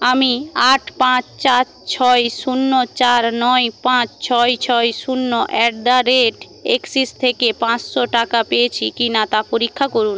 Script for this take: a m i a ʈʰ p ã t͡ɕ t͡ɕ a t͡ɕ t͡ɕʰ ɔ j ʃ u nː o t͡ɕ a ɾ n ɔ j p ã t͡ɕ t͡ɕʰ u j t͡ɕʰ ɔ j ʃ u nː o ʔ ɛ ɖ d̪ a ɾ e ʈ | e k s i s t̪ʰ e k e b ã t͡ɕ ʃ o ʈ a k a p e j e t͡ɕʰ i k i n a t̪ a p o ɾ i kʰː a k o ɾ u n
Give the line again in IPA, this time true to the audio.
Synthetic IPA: a m i a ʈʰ p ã t͡ɕ t͡ɕ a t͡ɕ t͡ɕʰ ɔ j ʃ u nː o t͡ɕ a ɾ n ɔ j p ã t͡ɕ t͡ɕʰ ɔ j t͡ɕʰ ɔ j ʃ u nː o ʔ ɛ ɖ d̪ a ɾ e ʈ | e k s i s t̪ʰ e k e p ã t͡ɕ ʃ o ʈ a k a p e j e t͡ɕʰ i k i n a t̪ a p o ɾ i kʰː a k o ɾ u n